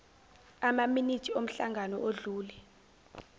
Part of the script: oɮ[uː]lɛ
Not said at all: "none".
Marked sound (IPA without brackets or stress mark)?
uː